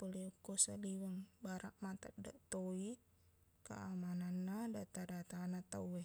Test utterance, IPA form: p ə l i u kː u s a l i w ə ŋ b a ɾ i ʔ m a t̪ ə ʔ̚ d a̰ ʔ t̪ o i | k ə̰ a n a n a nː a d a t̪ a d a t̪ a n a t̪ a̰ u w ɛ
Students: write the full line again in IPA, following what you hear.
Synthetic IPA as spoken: p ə l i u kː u s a l i w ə ŋ b a ɾ a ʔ m a t̪ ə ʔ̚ d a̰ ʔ t̪ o i | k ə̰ a m a n a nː a d a t̪ a d a t̪ a n a t̪ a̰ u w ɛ